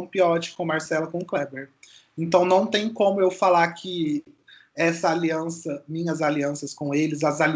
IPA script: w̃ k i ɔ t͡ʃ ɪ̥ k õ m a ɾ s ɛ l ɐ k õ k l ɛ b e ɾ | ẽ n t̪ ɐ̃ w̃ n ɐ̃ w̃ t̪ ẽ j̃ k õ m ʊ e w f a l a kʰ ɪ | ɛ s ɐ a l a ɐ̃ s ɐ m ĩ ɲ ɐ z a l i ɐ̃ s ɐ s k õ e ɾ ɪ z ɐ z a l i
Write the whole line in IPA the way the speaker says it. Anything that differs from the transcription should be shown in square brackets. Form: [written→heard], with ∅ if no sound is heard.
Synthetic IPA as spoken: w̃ [k→p] i ɔ t͡ʃ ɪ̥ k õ m a ɾ s ɛ l ɐ k õ k l ɛ b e ɾ | ẽ n t̪ ɐ̃ w̃ n ɐ̃ w̃ t̪ ẽ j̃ k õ m ʊ e w f a l a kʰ ɪ | ɛ s ɐ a l [a→i] ɐ̃ s ɐ m ĩ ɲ ɐ z a l i ɐ̃ s ɐ s k õ e [ɾ→l] ɪ z ɐ z a l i